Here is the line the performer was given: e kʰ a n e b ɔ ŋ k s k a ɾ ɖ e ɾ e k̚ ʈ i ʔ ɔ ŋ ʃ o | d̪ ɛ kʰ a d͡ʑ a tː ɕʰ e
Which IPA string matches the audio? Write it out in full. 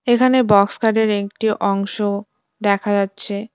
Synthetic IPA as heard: e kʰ a n e b ɔ k s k a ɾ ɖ e ɾ e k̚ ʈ i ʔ ɔ ŋ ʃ o | d̪ ɛ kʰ a d͡ʑ a tː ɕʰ e